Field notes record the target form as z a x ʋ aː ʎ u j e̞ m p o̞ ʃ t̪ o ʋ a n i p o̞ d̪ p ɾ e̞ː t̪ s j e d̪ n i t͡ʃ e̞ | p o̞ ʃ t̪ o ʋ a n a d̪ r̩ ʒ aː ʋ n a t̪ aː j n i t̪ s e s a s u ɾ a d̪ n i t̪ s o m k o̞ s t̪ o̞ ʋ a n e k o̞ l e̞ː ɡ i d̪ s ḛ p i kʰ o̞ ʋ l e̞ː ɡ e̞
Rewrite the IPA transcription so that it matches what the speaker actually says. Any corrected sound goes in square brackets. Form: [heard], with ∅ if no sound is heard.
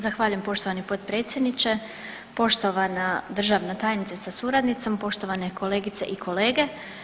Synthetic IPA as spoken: z a x ʋ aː ʎ u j e̞ m p o̞ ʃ t̪ o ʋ a n i p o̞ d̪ p ɾ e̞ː t̪ s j e d̪ n i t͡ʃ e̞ | p o̞ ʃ t̪ o ʋ a n a d̪ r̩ ʒ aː ʋ n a t̪ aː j n i t̪ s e s a s u ɾ a d̪ n i t̪ s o m [p] o̞ [ʃ] t̪ o̞ ʋ a n e k o̞ l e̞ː ɡ i [t̪] s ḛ [ʔ] i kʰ o̞ [∅] l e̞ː ɡ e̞